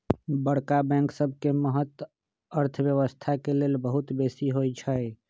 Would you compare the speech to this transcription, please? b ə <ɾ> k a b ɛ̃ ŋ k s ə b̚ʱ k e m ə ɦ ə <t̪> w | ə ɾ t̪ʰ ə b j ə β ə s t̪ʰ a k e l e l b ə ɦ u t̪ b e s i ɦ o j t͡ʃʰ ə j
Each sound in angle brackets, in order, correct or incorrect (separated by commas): incorrect, correct